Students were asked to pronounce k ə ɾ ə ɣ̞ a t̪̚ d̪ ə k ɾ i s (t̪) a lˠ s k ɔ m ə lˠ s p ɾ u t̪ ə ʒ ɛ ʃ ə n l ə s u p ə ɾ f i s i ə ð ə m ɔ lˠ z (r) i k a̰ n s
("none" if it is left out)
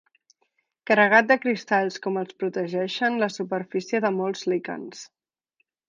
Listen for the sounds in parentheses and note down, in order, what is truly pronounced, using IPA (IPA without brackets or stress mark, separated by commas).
t̪, l